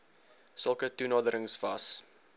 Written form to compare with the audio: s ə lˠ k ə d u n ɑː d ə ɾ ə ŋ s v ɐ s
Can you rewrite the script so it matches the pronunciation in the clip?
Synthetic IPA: s ə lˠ k ə t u n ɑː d ə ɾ ə ŋ s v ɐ s